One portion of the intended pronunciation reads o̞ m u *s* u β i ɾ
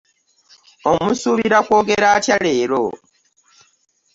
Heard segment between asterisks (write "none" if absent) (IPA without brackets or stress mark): s